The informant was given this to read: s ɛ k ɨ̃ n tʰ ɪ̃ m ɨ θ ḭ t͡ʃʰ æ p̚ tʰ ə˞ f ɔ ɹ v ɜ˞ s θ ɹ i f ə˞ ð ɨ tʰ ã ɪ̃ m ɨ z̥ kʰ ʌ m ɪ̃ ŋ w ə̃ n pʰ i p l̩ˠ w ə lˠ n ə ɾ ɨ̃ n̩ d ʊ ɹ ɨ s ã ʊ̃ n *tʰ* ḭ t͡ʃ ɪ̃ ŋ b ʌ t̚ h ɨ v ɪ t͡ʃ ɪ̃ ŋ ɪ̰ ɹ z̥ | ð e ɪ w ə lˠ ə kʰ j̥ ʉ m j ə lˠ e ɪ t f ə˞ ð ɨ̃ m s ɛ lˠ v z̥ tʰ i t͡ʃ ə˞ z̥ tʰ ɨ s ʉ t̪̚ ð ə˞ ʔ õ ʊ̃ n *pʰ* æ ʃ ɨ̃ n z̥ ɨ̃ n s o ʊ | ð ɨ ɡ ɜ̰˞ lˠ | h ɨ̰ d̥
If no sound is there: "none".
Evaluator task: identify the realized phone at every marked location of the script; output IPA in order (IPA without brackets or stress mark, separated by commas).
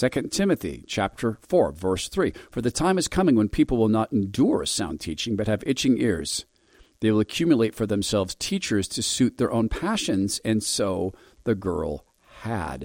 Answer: tʰ, pʰ